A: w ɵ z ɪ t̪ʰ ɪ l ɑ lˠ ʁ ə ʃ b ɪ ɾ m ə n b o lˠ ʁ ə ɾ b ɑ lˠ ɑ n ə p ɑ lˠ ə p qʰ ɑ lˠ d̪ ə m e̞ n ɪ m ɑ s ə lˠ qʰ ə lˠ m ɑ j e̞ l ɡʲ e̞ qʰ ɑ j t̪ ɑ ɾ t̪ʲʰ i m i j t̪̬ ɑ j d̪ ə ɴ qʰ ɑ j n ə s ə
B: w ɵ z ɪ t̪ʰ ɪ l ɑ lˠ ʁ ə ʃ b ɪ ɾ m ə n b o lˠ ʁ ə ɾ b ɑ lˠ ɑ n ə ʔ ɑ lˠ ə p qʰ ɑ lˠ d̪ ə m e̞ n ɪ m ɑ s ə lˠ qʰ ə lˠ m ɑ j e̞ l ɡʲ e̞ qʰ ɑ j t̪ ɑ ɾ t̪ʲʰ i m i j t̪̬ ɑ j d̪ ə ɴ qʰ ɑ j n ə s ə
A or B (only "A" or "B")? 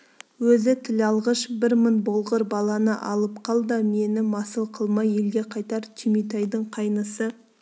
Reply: B